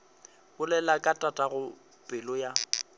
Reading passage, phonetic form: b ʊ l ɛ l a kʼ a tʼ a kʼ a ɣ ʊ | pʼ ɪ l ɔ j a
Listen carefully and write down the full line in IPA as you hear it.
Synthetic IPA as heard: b ʊ l ɛ l a kʼ a tʼ a tʼ a ɣ ʊ | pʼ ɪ l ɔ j a